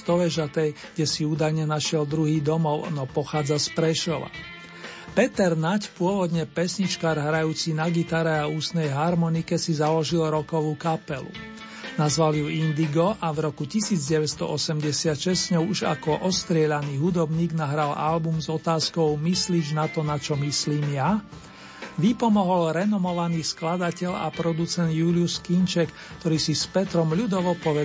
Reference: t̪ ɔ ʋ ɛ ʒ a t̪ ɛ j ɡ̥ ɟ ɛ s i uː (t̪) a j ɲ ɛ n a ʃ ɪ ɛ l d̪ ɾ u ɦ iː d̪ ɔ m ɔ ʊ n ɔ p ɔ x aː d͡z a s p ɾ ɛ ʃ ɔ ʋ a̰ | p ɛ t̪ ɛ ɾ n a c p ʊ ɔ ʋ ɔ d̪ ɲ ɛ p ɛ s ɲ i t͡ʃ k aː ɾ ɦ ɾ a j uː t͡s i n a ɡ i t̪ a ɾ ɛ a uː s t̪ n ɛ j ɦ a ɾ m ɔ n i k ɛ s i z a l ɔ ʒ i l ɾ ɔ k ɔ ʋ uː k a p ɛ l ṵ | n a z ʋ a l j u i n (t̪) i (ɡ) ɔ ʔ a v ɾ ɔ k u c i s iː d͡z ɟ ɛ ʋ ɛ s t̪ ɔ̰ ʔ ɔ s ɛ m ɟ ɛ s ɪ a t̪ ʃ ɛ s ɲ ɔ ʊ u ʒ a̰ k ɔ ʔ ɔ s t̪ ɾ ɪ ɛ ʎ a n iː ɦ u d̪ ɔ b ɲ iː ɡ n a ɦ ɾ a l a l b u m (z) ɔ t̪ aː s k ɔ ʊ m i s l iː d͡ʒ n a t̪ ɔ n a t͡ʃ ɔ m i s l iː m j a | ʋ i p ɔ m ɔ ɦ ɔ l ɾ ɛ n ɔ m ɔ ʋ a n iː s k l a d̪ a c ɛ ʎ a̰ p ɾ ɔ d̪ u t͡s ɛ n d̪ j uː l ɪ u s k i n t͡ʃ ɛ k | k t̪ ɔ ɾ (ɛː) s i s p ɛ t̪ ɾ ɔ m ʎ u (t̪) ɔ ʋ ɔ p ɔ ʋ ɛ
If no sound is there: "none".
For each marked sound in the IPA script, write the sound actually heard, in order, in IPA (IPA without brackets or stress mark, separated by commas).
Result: d̪, d̪, ɡ, z, iː, d̪